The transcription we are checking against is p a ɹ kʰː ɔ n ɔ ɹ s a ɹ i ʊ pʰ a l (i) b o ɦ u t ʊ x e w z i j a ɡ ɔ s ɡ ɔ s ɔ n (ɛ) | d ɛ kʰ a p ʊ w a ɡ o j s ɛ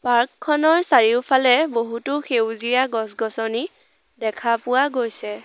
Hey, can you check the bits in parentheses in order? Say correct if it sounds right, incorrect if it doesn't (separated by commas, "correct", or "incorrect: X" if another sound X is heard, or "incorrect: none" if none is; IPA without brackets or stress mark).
incorrect: ɛ, incorrect: i